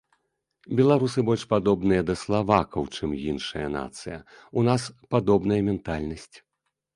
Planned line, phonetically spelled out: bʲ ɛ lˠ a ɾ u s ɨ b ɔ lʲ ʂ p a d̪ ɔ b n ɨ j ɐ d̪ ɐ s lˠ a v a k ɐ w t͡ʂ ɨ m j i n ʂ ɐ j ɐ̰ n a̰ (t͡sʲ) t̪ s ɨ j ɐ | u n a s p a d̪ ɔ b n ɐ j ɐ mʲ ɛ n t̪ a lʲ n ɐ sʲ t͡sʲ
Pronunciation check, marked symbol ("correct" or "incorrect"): incorrect